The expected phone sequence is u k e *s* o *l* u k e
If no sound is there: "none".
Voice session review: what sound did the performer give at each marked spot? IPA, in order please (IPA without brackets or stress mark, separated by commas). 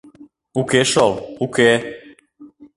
ʃ, l